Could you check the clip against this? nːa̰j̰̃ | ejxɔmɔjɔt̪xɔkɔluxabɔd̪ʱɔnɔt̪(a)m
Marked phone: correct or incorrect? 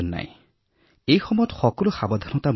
correct